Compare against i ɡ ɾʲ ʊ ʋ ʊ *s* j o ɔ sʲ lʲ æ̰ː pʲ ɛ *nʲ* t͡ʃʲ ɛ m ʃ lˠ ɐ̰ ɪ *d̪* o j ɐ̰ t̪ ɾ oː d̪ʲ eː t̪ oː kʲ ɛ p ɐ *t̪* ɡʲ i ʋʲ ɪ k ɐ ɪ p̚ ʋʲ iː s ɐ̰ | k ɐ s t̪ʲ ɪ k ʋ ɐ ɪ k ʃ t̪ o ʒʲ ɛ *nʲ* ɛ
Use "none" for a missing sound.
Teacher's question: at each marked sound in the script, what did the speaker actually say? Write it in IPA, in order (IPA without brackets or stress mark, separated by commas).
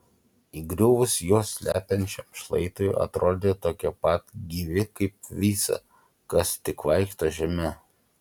s, nʲ, t̪, t̪, mʲ